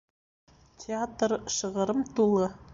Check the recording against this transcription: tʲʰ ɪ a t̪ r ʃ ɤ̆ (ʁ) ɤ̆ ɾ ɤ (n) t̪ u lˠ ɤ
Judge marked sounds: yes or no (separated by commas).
yes, no